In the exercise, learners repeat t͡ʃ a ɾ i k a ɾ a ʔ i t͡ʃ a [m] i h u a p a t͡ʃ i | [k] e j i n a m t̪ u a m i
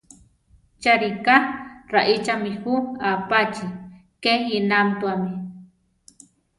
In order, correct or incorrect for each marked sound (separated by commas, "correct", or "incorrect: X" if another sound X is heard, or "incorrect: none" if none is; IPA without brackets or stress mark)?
correct, correct